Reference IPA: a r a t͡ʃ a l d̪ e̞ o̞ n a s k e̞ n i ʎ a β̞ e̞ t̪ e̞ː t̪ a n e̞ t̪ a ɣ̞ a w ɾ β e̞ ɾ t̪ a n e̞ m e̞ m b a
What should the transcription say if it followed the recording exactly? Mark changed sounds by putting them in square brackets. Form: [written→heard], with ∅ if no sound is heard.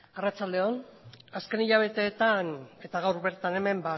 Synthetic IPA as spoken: a r a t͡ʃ a l d̪ e̞ o̞ n a s k e̞ n i ʎ a β̞ e̞ t̪ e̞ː t̪ a n e̞ t̪ a ɣ̞ a w ɾ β e̞ ɾ t̪ a n e̞ m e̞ m b a

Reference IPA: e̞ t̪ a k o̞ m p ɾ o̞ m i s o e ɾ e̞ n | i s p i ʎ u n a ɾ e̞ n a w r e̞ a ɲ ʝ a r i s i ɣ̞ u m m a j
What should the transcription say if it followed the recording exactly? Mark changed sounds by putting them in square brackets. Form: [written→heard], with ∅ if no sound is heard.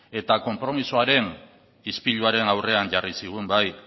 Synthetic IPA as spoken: e̞ t̪ a k o̞ m p ɾ o̞ m i s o [e→a] ɾ e̞ n | i s p i ʎ u [n→∅] a ɾ e̞ n a w r e̞ a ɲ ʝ a r i s i ɣ̞ u m [m→b] a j

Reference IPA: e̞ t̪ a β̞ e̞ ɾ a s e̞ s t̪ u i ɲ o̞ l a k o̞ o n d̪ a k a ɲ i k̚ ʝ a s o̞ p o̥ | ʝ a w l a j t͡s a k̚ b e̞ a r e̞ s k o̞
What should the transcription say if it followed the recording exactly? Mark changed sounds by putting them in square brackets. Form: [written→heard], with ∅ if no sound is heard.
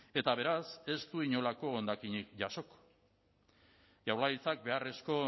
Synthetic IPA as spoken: e̞ t̪ a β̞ e̞ ɾ a s e̞ s t̪ u i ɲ o̞ l a k o̞ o n d̪ a k [a→i] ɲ i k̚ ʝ a s o̞ [p→k] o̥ | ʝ a w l a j t͡s a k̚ b e̞ a r e̞ s k o̞

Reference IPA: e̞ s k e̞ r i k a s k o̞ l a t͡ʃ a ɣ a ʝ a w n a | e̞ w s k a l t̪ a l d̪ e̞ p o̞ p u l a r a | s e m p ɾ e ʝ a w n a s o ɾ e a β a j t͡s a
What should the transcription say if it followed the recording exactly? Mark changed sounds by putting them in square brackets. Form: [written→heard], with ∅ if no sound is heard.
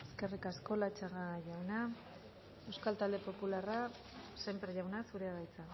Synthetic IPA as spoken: e̞ s k e̞ r i k a s k o̞ l a t͡ʃ a ɣ a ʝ a w n a | e̞ w s k a l t̪ a l d̪ e̞ p o̞ p u l a r a | s e m p ɾ e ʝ a w n a s [o→u] ɾ e a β a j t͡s a

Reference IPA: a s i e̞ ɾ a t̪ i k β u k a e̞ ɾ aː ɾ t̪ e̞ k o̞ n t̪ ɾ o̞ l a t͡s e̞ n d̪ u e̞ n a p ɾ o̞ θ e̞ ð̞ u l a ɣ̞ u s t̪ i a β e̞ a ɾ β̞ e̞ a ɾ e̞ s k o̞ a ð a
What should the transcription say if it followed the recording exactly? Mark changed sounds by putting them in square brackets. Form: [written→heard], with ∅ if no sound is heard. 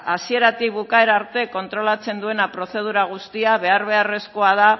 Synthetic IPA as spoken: a s i e̞ ɾ a t̪ i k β u k a e̞ ɾ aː ɾ t̪ e̞ k o̞ n t̪ ɾ o̞ l a t͡s e̞ n d̪ u e̞ n a p ɾ o̞ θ e̞ ð̞ u [l→ɾ] a ɣ̞ u s t̪ i a β e̞ a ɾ β̞ e̞ a [ɾ→r] e̞ s k o̞ a ð a

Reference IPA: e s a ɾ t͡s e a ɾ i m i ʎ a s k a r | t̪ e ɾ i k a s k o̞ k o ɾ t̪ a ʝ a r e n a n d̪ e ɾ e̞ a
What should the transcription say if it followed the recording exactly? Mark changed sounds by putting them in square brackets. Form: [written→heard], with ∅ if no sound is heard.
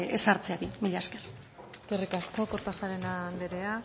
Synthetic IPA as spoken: e s a ɾ t͡s e a ɾ i m i ʎ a s k [a→e] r | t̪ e [ɾ→r] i k a s k o̞ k o ɾ t̪ a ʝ a [r→ɾ] e n a n d̪ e ɾ e̞ a

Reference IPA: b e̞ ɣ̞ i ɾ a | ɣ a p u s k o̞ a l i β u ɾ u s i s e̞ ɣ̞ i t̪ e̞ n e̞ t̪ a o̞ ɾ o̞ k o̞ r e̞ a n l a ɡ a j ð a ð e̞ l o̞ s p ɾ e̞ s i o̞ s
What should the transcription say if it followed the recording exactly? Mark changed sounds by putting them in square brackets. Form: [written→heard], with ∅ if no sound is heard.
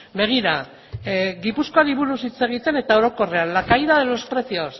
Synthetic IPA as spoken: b e̞ ɣ̞ i ɾ a | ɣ [a→i] p u s k o̞ a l i β u ɾ u s i [s→t͡s] e̞ ɣ̞ i t̪ e̞ n e̞ t̪ a o̞ ɾ o̞ k o̞ r e̞ a n l a [ɡ→k] a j ð a ð e̞ l o̞ s p ɾ e̞ s i o̞ s

